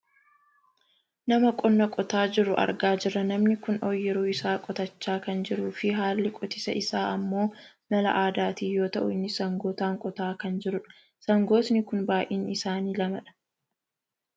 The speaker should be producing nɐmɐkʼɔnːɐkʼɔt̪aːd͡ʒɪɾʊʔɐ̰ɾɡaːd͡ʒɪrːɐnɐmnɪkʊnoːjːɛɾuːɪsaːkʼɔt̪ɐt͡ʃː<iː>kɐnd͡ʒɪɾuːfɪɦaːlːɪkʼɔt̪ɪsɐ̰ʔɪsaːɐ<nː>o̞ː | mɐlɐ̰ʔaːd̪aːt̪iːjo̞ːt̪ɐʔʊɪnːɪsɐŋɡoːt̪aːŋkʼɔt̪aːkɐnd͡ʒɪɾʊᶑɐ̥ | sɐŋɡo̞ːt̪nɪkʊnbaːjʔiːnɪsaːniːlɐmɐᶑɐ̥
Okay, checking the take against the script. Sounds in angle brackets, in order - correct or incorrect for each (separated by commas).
incorrect, incorrect